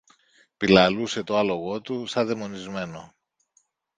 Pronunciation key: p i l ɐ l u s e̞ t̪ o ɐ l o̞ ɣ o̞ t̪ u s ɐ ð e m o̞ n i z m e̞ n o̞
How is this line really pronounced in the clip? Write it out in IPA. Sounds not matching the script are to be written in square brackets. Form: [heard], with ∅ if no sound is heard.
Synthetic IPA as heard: p i l ɐ l u s e̞ t̪ o ɐ l o̞ ɣ o̞ t̪ u s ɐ ð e m o̞ n i z m e̞ n o̞